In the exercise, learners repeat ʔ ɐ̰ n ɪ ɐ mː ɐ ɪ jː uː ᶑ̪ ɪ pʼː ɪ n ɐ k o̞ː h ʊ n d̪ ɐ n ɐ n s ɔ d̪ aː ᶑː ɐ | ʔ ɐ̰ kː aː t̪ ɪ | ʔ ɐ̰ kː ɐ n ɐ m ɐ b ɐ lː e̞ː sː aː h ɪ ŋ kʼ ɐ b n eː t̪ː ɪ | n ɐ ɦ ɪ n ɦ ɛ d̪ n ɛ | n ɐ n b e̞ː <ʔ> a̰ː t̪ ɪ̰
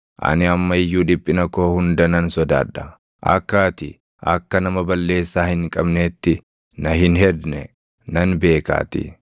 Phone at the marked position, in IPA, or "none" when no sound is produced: k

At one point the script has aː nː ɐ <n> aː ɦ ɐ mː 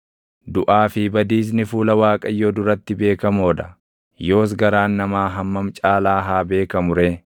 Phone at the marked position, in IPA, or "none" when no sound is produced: m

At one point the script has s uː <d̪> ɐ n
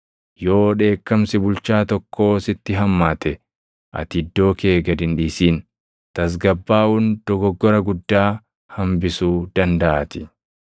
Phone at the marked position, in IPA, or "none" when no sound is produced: d̪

